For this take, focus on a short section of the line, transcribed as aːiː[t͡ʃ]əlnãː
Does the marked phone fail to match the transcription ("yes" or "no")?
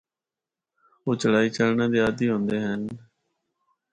no